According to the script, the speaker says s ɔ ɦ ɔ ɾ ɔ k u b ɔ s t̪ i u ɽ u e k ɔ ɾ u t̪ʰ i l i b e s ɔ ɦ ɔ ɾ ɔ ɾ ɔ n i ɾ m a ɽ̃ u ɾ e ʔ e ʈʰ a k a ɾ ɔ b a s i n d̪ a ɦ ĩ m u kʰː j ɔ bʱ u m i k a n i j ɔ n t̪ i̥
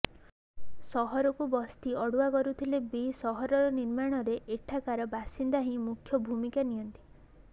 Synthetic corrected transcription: s ɔ ɦ ɔ ɾ ɔ k u b ɔ s t̪ i ɔ ɽ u a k ɔ ɾ u t̪ʰ i l e b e s ɔ ɦ ɔ ɾ ɔ ɾ ɔ n i ɾ m a ɽ̃ ɔ ɾ e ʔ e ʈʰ a k a ɾ ɔ b a s i n d̪ a ɦ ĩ m u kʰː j ɔ bʱ u m i k a n i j ɔ n t̪ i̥